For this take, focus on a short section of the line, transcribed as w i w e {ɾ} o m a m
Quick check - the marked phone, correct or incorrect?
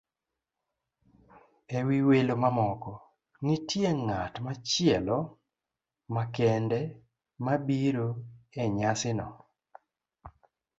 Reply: incorrect